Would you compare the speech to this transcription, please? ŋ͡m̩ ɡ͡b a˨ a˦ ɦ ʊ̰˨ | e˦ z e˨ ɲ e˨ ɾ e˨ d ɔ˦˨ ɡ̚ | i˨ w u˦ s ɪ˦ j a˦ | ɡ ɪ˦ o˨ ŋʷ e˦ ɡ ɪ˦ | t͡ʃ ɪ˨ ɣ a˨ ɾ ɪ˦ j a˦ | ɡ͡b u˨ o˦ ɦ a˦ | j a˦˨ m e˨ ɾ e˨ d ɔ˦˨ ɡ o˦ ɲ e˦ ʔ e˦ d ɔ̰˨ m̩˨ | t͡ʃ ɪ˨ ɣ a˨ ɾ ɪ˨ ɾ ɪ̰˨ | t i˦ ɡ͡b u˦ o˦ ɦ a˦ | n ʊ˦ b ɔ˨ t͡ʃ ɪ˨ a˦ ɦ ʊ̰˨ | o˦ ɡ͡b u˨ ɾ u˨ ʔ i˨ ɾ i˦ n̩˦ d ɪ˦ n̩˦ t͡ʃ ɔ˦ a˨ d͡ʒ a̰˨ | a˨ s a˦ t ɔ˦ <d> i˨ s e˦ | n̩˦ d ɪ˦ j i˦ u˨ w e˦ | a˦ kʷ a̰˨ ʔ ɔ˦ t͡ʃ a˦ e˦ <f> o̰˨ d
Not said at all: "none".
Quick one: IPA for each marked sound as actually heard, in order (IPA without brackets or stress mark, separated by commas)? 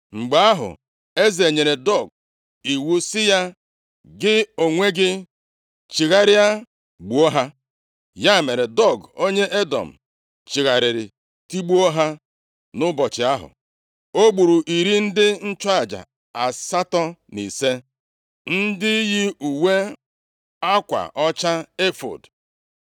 n, f